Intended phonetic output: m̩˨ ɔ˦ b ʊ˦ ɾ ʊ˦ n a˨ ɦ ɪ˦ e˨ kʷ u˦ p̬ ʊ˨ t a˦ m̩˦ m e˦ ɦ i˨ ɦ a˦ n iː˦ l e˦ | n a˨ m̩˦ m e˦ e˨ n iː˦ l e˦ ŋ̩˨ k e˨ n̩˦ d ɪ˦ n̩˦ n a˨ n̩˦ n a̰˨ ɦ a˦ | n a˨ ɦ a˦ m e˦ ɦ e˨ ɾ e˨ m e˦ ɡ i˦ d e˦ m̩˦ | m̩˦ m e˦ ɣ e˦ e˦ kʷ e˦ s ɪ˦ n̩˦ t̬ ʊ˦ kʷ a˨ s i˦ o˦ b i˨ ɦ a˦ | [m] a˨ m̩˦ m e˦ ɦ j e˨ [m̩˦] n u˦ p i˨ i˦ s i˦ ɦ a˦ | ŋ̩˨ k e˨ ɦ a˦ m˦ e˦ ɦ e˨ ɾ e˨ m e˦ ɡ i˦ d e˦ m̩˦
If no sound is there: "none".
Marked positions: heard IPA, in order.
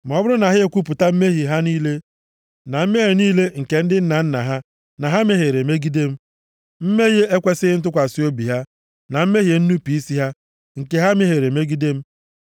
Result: n, n̩˦

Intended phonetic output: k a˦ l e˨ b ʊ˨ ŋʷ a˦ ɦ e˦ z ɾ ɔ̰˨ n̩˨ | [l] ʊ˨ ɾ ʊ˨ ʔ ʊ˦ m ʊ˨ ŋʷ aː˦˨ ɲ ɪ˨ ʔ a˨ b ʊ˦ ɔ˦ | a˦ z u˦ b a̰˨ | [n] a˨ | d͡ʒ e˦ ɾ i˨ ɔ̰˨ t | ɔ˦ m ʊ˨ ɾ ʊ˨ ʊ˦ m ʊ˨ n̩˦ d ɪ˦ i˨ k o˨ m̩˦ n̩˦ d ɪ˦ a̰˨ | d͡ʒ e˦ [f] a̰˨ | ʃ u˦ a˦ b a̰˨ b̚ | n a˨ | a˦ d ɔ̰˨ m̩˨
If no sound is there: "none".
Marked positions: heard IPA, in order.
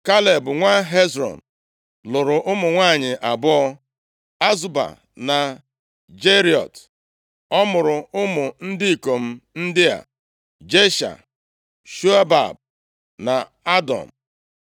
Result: l, n, ʃ

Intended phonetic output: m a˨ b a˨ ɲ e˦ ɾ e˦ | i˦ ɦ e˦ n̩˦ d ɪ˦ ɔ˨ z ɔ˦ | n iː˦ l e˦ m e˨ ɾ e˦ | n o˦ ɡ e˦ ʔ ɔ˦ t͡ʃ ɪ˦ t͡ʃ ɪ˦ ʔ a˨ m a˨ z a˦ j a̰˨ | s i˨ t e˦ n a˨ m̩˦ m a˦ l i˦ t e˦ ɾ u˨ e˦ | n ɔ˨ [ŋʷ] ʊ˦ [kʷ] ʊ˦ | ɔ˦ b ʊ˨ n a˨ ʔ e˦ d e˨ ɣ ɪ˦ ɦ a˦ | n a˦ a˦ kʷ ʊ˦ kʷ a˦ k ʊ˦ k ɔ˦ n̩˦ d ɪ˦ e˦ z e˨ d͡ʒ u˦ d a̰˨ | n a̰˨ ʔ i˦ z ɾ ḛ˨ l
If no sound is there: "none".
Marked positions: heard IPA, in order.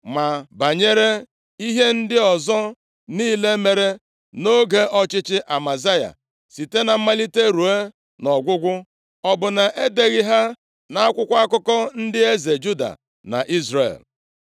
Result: ɡʷ, ɡʷ

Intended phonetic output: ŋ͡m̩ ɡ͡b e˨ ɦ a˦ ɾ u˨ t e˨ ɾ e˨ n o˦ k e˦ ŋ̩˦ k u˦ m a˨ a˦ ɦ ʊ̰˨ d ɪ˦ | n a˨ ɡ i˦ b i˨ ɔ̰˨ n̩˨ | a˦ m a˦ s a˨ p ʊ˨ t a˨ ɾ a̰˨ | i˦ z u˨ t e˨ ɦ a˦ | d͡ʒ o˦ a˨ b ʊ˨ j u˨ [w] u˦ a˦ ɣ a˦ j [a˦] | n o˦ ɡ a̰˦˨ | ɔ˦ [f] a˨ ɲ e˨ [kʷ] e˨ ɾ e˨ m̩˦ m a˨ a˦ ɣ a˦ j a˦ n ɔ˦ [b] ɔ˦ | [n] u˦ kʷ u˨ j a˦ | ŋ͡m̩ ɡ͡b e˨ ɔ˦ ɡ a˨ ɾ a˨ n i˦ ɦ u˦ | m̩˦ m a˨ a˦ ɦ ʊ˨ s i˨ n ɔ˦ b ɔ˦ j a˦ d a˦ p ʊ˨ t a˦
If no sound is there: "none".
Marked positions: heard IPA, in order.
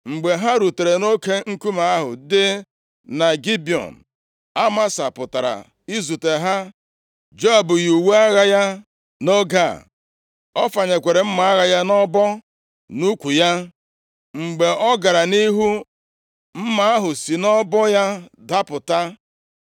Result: w, a˦, f, kʷ, b, n

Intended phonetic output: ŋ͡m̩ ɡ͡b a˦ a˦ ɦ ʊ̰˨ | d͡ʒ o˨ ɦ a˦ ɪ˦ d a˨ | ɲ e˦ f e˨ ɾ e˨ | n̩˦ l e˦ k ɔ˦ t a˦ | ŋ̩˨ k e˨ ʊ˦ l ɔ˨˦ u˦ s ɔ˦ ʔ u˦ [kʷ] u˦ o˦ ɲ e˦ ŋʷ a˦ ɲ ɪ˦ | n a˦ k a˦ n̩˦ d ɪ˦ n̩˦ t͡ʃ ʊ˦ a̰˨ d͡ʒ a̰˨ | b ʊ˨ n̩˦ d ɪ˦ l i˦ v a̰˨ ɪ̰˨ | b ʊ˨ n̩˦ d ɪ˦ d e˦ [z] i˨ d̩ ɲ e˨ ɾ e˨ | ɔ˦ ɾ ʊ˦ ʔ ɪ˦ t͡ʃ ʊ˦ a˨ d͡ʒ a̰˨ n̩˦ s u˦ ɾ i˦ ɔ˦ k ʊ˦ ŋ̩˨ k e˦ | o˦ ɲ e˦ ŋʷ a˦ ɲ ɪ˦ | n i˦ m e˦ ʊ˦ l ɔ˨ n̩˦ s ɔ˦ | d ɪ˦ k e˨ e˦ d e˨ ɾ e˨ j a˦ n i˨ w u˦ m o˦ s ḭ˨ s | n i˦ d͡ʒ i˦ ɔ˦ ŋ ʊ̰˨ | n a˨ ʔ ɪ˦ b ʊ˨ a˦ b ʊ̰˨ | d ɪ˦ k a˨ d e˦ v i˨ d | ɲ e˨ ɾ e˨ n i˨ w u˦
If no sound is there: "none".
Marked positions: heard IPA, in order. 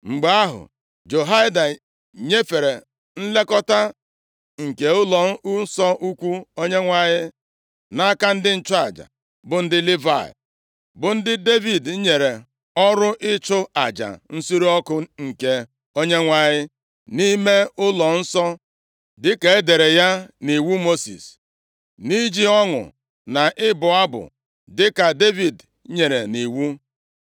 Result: kʷ, v

